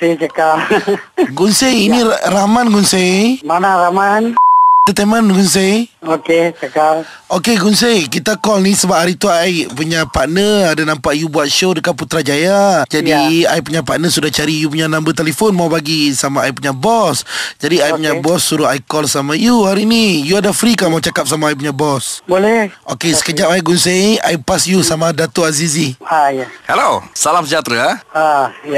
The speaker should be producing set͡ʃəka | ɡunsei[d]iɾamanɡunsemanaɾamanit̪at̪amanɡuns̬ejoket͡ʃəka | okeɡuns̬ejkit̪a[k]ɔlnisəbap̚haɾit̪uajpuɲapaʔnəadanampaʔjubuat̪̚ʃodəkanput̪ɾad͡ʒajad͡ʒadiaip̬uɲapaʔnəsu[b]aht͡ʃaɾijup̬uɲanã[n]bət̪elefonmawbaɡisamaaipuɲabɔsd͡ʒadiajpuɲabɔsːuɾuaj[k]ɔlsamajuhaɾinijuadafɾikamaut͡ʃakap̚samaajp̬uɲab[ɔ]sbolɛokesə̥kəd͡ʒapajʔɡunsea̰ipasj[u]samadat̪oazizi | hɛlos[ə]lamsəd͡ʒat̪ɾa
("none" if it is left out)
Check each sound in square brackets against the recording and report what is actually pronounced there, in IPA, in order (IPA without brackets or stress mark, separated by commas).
n, k, d, m, k, ɔ, u, a